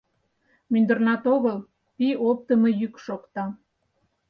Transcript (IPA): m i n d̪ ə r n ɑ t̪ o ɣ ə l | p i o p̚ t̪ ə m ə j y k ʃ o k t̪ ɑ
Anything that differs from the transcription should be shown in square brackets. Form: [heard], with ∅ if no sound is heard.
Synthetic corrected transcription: m [y] n d̪ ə r n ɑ t̪ o ɣ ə l | p i o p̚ t̪ ə m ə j y k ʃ o k t̪ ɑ